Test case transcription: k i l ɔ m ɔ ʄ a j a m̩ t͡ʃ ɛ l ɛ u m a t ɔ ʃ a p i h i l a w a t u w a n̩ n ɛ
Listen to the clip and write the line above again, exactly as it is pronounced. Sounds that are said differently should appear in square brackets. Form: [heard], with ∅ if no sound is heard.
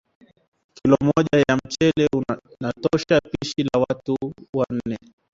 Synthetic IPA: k i l ɔ m ɔ ʄ a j a m̩ t͡ʃ ɛ l ɛ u [n] a t ɔ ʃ a p i [ʃ] i l a w a t u w a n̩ n ɛ